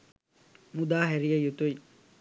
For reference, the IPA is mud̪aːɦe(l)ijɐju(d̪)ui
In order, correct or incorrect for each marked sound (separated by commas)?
incorrect, incorrect